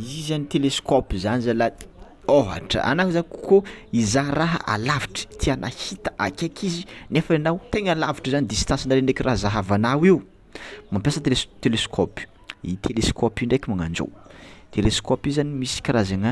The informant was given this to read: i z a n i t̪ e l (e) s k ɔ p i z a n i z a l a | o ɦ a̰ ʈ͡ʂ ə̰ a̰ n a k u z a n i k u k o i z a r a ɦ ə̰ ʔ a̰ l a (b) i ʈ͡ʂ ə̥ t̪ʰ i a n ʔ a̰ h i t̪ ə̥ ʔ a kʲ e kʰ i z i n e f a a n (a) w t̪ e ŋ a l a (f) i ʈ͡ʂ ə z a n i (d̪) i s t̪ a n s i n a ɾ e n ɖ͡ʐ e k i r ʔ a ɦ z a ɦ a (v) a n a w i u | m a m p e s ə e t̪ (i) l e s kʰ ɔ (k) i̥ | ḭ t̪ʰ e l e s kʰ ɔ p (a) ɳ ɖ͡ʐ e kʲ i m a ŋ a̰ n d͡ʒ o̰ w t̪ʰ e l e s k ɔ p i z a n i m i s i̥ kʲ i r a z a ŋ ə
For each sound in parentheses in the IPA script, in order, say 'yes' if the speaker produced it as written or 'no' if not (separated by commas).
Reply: yes, no, yes, no, yes, yes, no, no, no